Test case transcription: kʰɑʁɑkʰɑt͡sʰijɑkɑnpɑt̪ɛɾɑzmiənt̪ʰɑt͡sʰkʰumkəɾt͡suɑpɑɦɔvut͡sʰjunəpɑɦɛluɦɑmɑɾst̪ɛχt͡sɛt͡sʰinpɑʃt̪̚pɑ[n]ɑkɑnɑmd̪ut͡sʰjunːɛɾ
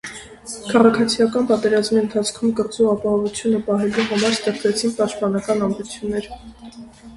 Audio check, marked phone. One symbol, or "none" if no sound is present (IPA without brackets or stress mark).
n